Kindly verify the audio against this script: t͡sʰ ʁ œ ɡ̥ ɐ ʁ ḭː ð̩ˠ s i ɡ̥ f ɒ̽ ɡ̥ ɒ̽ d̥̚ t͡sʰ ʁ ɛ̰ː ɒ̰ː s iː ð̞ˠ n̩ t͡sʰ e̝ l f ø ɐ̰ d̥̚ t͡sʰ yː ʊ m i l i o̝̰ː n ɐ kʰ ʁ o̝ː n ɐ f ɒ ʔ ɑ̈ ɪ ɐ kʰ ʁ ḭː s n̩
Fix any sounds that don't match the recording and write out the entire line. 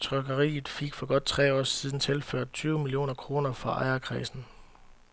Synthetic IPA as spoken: t͡sʰ ʁ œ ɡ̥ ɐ ʁ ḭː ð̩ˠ f i ɡ̥ f ɒ̽ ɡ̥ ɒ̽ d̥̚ t͡sʰ ʁ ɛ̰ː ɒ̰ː s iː ð̞ˠ n̩ t͡sʰ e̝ l f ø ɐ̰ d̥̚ t͡sʰ yː ʊ m i l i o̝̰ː n ɐ kʰ ʁ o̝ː n ɐ f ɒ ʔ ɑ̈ ɪ ɐ kʰ ʁ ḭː s n̩